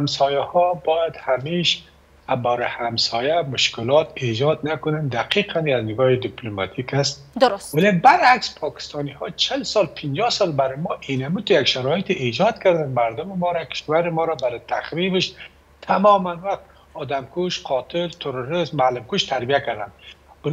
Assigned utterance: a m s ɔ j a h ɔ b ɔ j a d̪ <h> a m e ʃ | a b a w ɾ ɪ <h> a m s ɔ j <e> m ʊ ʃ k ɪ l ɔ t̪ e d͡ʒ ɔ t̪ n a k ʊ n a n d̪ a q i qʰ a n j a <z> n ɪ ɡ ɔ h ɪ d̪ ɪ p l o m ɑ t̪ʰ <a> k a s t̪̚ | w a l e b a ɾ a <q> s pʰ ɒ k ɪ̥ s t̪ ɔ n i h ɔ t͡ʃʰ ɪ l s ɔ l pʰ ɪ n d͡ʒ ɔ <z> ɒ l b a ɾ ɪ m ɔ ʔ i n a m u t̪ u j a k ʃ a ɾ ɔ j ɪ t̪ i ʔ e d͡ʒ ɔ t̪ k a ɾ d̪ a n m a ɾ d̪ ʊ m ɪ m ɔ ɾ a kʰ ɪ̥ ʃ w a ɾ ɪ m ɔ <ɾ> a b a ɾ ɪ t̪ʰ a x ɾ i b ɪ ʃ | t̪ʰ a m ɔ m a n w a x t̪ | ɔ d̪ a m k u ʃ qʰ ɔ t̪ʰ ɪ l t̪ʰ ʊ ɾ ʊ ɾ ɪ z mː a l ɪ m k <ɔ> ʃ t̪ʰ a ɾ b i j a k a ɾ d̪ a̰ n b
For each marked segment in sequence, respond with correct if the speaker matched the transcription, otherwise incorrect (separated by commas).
correct, correct, incorrect, correct, incorrect, incorrect, incorrect, correct, incorrect